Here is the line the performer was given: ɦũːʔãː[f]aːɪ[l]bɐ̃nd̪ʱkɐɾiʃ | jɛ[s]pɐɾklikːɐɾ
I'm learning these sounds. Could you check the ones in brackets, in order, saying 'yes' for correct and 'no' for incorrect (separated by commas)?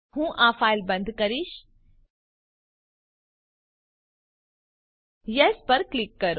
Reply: yes, yes, yes